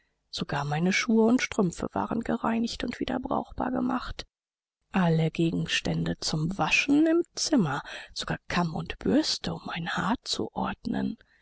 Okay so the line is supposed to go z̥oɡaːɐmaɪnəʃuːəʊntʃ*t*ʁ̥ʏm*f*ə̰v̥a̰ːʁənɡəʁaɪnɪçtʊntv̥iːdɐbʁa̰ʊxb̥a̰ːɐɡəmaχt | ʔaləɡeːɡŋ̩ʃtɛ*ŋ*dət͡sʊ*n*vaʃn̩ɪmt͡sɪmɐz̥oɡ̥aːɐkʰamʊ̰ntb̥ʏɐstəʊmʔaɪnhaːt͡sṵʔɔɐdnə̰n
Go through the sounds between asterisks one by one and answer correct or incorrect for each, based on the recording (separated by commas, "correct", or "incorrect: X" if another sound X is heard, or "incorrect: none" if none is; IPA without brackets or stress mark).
correct, correct, incorrect: n, incorrect: m